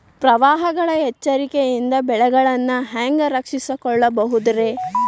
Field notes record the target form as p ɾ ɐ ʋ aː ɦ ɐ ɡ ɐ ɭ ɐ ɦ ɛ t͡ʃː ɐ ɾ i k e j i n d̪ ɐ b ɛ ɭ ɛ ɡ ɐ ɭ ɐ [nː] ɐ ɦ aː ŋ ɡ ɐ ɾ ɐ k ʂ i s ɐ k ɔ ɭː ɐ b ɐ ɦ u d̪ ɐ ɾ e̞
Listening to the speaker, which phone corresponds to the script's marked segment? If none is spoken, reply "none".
nː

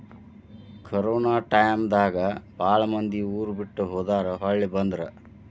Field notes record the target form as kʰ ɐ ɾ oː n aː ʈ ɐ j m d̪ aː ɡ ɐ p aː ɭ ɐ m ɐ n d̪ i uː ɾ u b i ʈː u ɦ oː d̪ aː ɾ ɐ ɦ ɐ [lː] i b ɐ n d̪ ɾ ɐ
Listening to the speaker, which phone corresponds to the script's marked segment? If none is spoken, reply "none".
ɭː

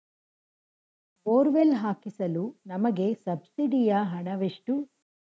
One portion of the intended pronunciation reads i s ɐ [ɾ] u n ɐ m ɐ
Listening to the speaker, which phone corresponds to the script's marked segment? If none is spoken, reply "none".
l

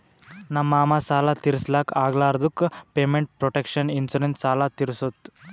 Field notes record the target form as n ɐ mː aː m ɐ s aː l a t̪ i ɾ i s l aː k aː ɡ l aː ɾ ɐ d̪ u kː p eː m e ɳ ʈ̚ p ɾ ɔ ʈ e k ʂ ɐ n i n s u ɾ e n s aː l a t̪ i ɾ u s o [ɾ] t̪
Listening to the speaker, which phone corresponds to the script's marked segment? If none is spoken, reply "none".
none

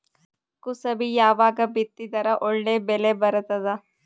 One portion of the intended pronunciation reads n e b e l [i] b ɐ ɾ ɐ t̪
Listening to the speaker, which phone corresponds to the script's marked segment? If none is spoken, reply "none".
e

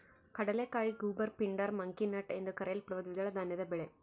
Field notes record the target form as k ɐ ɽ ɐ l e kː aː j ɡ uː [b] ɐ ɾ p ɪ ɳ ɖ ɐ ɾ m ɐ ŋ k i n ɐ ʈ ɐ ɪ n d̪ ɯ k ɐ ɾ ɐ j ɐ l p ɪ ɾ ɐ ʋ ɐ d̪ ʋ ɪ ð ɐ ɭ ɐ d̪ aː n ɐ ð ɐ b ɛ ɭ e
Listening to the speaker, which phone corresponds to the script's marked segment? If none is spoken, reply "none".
b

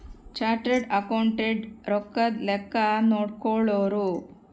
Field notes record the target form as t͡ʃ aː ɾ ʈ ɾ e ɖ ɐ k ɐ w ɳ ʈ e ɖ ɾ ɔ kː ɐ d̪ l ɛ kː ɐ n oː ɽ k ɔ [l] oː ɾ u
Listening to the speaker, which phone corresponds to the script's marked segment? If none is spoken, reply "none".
ɭ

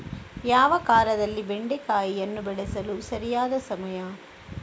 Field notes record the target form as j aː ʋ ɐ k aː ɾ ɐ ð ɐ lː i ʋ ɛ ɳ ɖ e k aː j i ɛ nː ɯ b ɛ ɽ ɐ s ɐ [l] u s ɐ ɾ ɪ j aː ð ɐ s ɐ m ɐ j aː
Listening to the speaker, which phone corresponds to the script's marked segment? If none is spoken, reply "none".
l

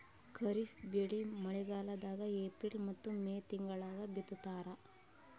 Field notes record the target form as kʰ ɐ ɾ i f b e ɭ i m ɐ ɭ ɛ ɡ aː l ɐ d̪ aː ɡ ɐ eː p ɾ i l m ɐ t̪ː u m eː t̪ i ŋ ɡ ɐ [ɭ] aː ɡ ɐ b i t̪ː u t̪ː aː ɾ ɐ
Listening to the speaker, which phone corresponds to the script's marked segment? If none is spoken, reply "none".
ɭ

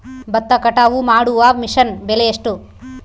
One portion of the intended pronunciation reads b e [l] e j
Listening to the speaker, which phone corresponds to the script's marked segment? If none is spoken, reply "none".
l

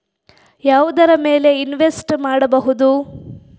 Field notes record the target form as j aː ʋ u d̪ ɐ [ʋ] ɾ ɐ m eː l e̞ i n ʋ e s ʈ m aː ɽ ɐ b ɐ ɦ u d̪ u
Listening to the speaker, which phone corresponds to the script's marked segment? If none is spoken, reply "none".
none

